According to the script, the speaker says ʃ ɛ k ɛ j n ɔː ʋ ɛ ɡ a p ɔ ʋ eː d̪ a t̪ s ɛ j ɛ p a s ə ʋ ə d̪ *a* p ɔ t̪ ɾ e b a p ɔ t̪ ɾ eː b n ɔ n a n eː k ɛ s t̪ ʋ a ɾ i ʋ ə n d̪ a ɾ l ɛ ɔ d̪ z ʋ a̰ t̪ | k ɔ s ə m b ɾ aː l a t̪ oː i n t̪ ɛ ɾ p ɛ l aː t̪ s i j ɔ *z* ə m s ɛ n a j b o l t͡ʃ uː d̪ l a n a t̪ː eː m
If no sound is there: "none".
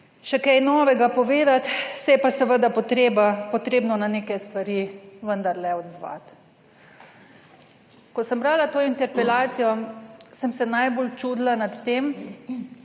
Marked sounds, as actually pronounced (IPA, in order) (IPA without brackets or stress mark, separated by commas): a, s